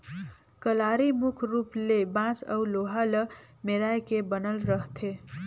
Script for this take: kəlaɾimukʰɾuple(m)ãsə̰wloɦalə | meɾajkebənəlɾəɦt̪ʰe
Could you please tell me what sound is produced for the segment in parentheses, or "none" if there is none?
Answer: b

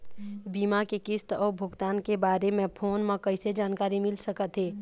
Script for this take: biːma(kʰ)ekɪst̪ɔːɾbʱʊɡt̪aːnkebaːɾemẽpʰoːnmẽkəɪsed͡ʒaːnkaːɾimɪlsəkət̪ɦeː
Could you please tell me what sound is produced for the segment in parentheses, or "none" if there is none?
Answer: k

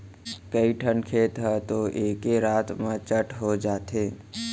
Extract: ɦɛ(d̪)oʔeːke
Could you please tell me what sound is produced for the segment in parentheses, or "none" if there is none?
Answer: t̪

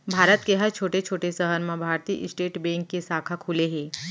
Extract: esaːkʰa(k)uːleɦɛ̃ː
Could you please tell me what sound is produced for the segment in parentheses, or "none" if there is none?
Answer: kʰ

